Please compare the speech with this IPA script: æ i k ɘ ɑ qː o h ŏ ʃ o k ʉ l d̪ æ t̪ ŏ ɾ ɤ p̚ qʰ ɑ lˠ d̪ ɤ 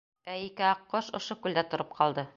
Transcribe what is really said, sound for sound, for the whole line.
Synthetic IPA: æ i k ɘ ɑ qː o ʃ ŏ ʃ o k ʉ l d̪ æ t̪ ŏ ɾ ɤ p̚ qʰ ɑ lˠ d̪ ɤ